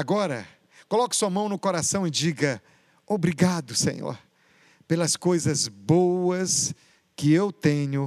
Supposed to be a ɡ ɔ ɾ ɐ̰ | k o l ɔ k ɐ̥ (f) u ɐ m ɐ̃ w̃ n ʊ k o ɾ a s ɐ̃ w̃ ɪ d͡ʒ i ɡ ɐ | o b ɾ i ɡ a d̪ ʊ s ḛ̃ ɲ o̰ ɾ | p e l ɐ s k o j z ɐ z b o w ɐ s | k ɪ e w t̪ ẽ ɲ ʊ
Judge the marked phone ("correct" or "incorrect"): incorrect